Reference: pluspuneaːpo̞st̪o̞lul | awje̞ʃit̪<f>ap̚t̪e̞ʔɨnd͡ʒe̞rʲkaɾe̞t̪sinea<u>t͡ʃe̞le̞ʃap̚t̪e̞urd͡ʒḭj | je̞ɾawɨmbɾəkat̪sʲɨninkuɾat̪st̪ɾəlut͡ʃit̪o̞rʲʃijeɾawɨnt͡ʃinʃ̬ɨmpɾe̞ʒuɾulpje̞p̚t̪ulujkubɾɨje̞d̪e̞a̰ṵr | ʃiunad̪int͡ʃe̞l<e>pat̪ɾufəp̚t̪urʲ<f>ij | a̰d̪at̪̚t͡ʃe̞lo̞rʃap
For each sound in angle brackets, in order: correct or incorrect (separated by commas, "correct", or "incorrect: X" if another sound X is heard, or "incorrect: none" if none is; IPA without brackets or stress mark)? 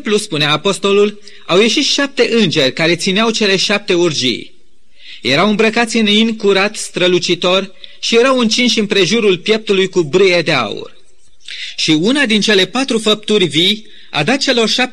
incorrect: ʃ, incorrect: w, correct, incorrect: v